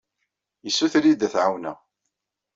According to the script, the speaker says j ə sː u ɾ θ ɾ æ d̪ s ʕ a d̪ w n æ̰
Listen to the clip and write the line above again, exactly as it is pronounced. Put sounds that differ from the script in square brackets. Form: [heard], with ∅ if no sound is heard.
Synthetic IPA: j ə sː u [∅] θ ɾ [i] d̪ [θ] ʕ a [∅] w n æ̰